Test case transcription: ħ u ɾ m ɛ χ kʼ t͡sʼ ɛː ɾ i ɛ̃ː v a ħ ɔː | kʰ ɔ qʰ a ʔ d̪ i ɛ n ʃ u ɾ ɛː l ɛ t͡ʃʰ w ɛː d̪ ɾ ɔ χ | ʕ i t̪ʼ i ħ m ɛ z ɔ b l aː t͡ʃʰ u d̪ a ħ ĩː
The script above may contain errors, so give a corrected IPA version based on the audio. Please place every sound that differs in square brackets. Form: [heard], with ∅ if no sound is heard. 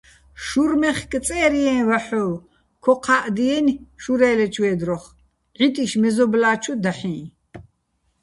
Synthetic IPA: [ʃ] u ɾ m ɛ χ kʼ t͡sʼ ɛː ɾ i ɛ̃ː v a ħ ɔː | kʰ ɔ qʰ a ʔ d̪ i ɛ n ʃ u ɾ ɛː l ɛ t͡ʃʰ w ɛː d̪ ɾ ɔ χ | ʕ i t̪ʼ i [ʃ] m ɛ z ɔ b l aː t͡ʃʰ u d̪ a ħ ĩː